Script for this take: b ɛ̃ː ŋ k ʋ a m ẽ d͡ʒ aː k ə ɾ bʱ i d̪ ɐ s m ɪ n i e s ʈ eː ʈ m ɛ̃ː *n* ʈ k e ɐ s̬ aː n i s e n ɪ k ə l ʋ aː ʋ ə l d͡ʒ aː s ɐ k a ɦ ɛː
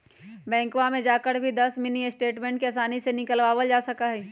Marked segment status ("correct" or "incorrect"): incorrect